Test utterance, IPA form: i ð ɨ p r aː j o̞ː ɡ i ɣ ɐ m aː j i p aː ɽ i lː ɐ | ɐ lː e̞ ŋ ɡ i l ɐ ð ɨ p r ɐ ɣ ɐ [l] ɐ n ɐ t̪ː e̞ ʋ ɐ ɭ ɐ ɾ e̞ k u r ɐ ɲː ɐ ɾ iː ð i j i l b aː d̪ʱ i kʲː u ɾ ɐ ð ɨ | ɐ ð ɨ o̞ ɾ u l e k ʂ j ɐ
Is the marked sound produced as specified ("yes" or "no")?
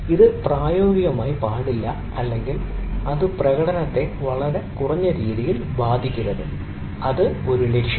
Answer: no